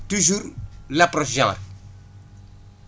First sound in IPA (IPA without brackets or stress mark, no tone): t